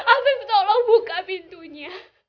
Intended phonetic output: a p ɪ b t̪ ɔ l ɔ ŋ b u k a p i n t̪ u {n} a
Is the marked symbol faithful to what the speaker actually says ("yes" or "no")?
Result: no